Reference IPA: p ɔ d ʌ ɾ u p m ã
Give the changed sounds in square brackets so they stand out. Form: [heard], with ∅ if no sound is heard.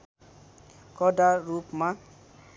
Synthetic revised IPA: [k] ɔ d [a] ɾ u p m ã